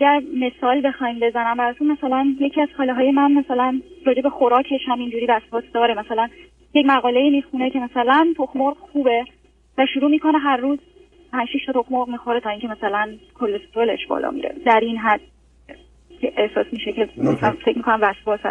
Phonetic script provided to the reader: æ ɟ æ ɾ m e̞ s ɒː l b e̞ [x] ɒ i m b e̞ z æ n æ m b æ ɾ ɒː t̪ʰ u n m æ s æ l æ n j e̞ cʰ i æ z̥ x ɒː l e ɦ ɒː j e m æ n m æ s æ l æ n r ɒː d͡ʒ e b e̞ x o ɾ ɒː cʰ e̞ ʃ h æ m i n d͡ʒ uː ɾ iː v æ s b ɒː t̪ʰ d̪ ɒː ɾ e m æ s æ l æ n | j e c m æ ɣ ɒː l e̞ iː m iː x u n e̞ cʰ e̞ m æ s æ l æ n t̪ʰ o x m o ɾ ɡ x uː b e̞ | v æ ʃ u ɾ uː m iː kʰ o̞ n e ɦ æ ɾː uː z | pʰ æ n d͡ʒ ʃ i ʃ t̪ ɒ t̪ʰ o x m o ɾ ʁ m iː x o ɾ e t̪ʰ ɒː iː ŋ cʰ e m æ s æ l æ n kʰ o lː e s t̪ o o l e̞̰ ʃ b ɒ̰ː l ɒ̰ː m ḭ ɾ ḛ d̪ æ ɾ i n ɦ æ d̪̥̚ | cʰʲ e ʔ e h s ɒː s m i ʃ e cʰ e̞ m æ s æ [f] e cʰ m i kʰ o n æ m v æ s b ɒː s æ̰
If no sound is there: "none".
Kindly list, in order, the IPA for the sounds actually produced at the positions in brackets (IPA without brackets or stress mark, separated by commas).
x, f